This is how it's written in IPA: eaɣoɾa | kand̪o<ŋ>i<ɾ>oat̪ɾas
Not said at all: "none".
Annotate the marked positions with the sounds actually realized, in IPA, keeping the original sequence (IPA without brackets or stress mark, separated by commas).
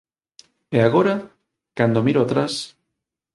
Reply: m, ɾ